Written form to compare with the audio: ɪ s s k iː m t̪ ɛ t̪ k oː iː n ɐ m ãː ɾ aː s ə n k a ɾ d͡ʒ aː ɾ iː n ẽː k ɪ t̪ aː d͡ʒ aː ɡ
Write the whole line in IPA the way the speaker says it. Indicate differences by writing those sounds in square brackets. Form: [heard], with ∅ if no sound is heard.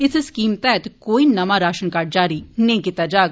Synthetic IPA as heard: ɪ s s k iː m t̪ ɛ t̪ k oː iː n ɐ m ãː ɾ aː [ʃ] ə n k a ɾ d͡ʒ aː ɾ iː n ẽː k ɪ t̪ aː d͡ʒ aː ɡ